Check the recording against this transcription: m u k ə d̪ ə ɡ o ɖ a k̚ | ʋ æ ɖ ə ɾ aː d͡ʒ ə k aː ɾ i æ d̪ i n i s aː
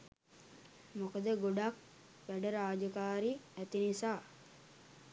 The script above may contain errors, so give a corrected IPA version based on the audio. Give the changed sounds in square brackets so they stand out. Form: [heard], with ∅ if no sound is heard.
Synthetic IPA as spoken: m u k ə d̪ ə ɡ o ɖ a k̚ | ʋ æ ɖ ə ɾ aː d͡ʒ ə k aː ɾ i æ [t̪] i n i s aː